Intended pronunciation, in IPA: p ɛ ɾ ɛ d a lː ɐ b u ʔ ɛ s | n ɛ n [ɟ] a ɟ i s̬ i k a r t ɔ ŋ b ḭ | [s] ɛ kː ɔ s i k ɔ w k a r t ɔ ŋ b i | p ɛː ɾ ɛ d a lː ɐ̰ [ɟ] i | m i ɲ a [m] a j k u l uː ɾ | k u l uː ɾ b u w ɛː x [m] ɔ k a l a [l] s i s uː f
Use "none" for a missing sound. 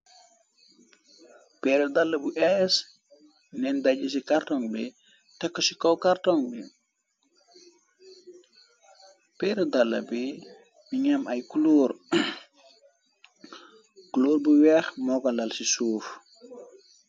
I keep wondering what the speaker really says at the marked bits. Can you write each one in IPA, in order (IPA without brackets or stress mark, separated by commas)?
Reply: d, t, b, m, m, l